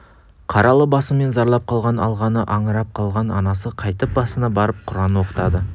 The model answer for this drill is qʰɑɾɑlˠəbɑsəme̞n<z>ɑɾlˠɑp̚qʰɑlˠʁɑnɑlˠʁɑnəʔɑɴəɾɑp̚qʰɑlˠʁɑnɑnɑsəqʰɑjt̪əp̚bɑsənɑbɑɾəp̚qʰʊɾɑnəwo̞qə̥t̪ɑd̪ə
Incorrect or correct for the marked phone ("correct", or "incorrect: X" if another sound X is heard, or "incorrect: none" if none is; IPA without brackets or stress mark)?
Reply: correct